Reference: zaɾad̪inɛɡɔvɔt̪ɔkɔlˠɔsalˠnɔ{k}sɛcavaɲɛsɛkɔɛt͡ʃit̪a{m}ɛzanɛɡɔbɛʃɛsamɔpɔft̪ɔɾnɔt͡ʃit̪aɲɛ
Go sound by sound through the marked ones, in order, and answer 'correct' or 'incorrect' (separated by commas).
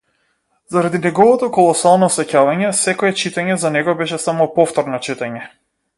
incorrect, incorrect